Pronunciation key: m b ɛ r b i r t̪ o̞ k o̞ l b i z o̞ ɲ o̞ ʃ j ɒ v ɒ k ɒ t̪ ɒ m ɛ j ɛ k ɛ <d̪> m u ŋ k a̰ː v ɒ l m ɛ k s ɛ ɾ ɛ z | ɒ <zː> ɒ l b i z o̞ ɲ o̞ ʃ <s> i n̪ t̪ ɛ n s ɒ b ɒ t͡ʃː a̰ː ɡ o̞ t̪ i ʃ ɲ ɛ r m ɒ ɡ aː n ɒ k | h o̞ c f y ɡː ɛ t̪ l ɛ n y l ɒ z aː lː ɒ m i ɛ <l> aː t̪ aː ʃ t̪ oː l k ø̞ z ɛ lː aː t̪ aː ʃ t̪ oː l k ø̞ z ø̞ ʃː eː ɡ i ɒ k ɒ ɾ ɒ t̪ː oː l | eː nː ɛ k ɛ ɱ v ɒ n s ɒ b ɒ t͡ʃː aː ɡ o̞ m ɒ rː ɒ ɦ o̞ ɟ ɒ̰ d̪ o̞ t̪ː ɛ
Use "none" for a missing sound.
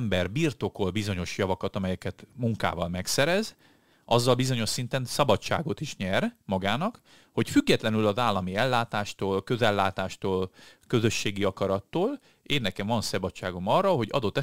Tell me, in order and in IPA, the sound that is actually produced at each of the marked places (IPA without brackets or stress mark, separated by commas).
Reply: t̪, zː, s, lː